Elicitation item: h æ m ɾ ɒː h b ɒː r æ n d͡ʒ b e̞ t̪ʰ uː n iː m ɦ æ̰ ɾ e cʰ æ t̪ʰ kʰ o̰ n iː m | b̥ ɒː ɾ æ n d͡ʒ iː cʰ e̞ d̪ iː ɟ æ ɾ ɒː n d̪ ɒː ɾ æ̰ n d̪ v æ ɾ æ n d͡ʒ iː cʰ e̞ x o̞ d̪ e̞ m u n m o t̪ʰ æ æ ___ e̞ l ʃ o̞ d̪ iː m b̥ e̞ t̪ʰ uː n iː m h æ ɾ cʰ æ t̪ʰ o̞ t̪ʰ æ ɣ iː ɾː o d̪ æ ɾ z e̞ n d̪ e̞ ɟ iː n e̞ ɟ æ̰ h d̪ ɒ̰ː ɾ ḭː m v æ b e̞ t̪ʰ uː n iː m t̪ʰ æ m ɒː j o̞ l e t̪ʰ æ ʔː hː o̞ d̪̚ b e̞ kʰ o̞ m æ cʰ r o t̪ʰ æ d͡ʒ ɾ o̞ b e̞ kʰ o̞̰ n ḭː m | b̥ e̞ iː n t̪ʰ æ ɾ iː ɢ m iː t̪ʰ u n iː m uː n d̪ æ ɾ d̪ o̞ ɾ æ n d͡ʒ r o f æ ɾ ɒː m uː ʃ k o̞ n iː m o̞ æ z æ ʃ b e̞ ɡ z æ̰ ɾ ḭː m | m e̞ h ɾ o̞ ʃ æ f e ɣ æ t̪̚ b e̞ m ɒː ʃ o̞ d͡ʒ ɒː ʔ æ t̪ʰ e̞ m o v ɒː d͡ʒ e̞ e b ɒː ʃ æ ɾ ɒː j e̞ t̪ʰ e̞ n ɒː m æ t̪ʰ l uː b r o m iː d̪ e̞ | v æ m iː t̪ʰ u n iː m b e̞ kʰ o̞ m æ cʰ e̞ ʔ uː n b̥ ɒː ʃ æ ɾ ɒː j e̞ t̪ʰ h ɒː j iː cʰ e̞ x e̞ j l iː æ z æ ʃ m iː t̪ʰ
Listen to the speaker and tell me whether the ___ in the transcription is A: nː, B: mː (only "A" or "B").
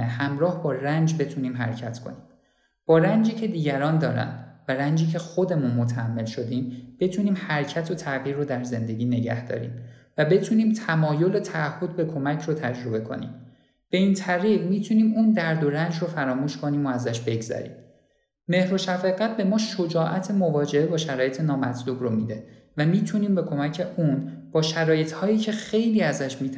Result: B